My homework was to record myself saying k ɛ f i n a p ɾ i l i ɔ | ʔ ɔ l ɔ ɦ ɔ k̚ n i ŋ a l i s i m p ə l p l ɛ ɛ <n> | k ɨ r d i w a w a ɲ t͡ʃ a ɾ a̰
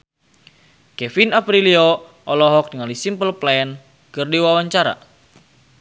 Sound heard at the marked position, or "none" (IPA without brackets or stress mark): n